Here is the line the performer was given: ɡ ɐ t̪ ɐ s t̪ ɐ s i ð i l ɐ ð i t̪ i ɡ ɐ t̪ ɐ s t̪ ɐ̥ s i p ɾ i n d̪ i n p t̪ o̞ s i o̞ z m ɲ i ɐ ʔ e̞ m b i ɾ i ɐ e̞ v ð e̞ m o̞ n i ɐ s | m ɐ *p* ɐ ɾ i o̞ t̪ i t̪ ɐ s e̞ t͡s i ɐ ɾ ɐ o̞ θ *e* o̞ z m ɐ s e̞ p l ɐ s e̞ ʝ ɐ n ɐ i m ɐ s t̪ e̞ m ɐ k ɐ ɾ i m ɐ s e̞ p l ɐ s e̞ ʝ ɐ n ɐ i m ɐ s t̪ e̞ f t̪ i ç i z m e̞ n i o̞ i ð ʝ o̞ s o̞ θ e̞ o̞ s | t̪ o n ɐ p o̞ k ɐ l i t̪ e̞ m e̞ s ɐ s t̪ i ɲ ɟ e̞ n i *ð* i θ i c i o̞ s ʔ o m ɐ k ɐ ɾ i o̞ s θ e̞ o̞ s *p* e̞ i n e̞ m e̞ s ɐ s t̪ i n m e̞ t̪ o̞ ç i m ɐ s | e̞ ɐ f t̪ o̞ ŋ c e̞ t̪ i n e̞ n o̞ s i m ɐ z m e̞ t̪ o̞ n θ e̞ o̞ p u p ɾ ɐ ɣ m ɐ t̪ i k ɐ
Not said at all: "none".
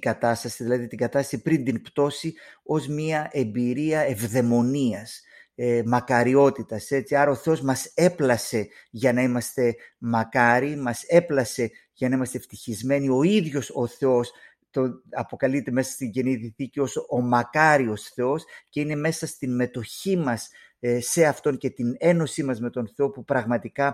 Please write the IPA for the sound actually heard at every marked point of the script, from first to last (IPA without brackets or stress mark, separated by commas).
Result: k, e, ð, c